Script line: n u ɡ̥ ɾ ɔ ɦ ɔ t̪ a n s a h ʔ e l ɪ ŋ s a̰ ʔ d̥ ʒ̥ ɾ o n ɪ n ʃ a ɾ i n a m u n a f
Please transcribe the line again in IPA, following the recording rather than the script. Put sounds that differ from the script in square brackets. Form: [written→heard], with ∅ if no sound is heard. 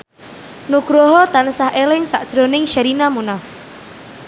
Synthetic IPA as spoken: n u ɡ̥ ɾ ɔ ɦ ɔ t̪ a n s a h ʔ e l ɪ ŋ s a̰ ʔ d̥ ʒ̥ ɾ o n ɪ [n→ŋ] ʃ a ɾ i n a m u n a f